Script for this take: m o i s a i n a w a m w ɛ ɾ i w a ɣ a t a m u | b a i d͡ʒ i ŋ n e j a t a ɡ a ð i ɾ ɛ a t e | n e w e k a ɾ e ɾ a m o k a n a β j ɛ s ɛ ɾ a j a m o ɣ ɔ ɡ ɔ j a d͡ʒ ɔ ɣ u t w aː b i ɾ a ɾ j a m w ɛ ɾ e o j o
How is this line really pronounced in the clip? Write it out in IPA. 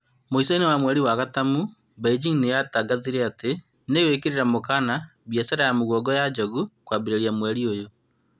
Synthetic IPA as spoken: m o i s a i n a w a m w ɛ ɾ i w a ɣ a t a m u | b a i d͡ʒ i ŋ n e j a t a ɡ a ð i ɾ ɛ a t e | n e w e k e ɾ e ɾ a m o k a n a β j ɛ s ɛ ɾ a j a m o ɣ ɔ ɡ ɔ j a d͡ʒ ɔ ɣ u k w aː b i ɾ e ɾ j a m w ɛ ɾ i o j o